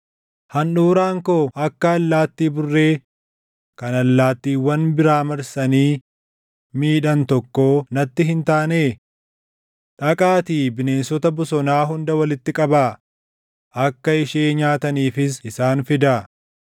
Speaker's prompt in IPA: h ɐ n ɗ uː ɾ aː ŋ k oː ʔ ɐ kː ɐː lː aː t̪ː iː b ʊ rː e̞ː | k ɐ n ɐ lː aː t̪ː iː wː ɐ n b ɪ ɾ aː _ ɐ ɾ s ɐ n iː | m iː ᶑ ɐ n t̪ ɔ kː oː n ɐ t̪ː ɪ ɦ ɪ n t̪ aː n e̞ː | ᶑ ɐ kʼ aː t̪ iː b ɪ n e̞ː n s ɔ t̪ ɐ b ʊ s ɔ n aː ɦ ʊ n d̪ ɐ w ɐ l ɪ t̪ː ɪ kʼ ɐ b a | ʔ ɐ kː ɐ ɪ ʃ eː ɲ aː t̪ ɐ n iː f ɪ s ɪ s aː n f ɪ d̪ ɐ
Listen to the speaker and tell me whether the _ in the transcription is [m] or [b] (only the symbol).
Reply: m